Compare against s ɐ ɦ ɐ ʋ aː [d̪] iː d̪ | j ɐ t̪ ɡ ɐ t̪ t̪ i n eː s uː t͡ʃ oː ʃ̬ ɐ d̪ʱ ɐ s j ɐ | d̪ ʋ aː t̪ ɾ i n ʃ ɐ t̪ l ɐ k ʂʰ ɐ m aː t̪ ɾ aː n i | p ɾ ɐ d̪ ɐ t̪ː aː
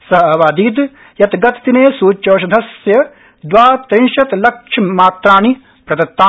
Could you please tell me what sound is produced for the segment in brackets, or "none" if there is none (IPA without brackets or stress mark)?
d̪